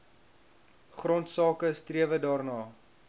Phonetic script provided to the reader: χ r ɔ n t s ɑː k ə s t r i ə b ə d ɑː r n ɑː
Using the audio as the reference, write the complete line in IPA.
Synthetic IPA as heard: χ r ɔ n t s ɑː k ə s t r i ə v ə d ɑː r n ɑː